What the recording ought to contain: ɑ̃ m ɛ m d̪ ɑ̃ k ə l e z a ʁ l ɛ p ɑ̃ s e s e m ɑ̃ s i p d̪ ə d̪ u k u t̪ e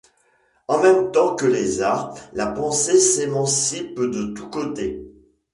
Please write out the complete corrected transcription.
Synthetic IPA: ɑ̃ m ɛ m t̪ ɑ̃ k ə l e z a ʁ l a p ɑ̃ s e s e m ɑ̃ s i p d̪ ə t̪ u k o t̪ e